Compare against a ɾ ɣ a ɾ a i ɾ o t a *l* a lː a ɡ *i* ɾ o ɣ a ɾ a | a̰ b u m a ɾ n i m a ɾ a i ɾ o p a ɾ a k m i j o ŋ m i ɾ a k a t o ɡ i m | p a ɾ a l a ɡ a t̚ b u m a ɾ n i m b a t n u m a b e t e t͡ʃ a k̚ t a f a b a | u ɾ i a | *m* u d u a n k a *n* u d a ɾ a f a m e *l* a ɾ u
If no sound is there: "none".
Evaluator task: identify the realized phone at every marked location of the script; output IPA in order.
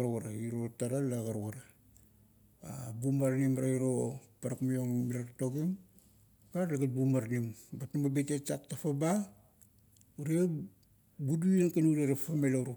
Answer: ɾ, a, b, n, l

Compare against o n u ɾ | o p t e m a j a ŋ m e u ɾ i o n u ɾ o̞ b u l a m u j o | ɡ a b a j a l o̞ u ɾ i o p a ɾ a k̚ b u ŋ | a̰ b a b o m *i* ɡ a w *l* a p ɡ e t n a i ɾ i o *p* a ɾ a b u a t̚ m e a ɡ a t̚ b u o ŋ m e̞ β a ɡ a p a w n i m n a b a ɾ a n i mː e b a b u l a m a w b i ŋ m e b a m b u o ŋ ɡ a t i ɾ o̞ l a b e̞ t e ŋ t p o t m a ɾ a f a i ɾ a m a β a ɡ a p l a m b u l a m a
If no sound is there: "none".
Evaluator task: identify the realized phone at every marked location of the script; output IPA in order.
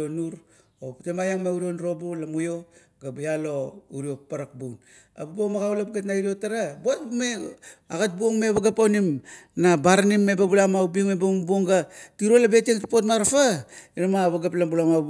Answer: a, l, t

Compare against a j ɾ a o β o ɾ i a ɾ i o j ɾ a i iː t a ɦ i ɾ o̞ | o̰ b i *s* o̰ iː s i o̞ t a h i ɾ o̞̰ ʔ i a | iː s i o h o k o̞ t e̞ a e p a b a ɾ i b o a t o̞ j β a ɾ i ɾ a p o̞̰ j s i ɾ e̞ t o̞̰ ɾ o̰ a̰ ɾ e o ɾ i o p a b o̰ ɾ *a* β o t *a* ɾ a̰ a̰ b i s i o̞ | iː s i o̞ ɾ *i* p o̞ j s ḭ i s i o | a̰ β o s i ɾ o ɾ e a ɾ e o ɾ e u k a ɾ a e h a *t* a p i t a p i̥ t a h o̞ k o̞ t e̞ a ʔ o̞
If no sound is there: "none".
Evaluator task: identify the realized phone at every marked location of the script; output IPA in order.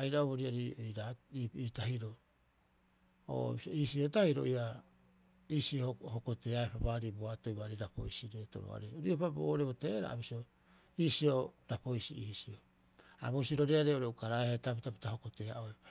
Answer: s, e, e, a, t

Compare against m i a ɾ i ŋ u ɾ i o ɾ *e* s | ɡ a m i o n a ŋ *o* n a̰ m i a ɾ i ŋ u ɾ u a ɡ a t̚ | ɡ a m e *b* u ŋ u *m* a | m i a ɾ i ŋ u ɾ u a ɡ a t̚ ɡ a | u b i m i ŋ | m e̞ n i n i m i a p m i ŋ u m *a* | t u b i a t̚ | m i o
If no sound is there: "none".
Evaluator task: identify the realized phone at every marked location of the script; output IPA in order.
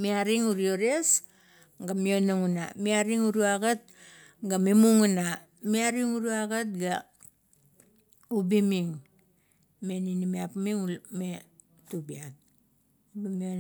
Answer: e, u, m, n, e

